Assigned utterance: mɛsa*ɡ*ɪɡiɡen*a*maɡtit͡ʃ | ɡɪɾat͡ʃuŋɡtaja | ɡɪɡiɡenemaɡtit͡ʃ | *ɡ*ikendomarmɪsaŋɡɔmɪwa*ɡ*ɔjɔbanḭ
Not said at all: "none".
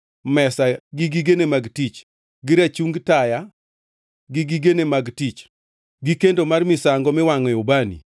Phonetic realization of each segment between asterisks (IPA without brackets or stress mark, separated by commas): ɡ, e, ɡ, ŋ